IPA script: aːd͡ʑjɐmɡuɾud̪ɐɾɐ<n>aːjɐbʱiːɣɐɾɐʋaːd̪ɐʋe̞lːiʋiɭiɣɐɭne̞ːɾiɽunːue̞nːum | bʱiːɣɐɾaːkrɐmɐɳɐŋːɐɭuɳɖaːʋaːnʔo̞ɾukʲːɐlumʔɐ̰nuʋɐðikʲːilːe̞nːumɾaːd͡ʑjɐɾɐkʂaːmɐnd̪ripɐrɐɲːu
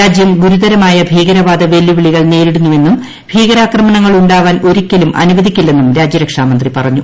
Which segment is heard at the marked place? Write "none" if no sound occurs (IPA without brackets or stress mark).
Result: m